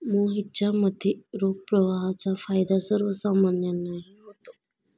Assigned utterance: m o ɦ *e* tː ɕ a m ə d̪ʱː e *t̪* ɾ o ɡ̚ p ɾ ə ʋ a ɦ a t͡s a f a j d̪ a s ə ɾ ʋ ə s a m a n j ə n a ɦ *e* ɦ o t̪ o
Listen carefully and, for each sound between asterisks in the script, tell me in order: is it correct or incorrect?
incorrect, incorrect, incorrect

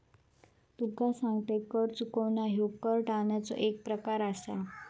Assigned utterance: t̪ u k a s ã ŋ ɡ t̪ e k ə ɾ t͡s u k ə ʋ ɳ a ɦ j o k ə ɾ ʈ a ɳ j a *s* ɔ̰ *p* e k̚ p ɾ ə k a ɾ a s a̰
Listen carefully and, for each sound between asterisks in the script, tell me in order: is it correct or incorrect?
incorrect, incorrect

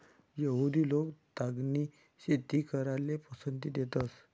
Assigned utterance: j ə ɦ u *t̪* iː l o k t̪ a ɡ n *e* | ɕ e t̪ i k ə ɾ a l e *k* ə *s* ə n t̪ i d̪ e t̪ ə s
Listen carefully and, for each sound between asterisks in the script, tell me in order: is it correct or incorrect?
incorrect, incorrect, incorrect, correct

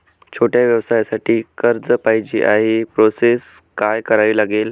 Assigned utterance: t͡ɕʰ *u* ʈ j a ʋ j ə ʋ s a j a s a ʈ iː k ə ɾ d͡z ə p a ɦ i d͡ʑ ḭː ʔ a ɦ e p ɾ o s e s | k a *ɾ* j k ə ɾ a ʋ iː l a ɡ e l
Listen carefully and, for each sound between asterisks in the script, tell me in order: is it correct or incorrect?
incorrect, incorrect

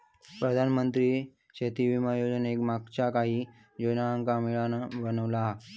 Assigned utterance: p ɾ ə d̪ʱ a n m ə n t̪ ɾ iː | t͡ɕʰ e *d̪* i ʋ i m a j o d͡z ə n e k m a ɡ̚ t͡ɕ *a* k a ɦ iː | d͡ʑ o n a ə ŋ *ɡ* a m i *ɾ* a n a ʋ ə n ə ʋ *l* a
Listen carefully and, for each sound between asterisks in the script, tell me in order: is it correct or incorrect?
incorrect, correct, incorrect, incorrect, correct

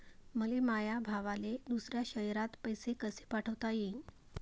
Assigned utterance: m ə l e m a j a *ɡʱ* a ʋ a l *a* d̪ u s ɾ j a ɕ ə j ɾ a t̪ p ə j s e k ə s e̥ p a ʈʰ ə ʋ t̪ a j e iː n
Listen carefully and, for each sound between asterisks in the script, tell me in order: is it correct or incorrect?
incorrect, incorrect

